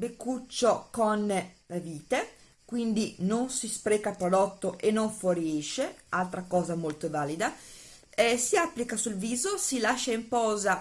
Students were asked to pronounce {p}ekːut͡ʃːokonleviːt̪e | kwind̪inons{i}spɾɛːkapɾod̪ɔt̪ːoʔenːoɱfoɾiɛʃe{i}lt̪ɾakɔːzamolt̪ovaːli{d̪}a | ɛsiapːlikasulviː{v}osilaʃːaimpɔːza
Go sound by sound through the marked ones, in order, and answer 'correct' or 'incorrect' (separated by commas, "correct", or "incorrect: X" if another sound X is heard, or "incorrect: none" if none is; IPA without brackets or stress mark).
incorrect: b, correct, incorrect: a, correct, incorrect: z